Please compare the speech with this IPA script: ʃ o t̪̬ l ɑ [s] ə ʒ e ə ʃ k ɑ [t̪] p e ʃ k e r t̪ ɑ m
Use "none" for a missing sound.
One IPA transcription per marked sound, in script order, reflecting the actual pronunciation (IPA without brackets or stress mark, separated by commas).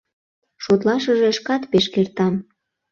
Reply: ʃ, t̪